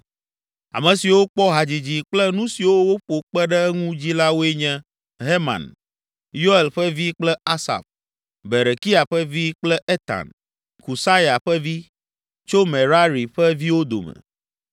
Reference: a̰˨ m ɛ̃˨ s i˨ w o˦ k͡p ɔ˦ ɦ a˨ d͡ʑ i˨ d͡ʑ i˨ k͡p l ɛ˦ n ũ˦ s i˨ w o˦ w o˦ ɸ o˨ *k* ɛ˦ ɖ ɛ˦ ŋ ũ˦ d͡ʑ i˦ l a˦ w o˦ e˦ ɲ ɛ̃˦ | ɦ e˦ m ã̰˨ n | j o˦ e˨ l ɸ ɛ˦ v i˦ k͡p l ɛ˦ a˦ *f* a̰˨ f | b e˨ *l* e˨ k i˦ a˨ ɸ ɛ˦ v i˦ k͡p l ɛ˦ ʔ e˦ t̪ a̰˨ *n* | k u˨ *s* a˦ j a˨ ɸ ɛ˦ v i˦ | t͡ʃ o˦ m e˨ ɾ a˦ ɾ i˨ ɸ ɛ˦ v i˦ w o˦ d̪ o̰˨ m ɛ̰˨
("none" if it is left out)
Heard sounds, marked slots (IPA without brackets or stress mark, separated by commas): k͡p, s, ɾ, n, s